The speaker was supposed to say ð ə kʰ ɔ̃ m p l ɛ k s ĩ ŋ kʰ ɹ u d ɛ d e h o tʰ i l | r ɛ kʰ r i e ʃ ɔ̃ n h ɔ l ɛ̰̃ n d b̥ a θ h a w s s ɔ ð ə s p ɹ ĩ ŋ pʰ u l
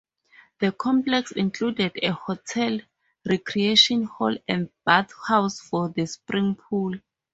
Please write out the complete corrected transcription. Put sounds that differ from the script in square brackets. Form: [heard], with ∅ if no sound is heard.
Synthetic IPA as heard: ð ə kʰ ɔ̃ m p l ɛ k s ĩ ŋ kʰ [l] u d ɛ d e h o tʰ [ɛ] l | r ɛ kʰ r i e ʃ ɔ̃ n h ɔ l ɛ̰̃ n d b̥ a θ h a w s [f] ɔ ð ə s p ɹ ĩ ŋ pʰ u l